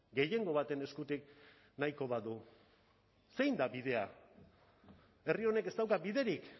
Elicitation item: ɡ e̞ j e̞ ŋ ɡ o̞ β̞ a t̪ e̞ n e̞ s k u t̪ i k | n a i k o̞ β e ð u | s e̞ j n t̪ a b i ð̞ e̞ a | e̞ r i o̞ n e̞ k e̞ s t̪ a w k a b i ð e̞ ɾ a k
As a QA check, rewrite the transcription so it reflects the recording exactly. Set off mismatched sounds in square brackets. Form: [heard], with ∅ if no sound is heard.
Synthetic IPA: ɡ e̞ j e̞ ŋ ɡ o̞ β̞ a t̪ e̞ n e̞ s k u t̪ i k | n a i k o̞ β [a] ð u | s e̞ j n [d̪] a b i ð̞ e̞ a | e̞ r i o̞ n e̞ k e̞ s t̪ a w k a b i ð e̞ ɾ [i] k